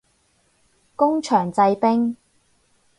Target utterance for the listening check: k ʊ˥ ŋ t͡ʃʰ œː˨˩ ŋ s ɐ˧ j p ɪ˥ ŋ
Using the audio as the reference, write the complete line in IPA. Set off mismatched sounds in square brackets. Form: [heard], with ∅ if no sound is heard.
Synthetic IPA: k ʊ˥ ŋ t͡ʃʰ œː˨˩ ŋ [t͡s] ɐ˧ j p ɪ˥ ŋ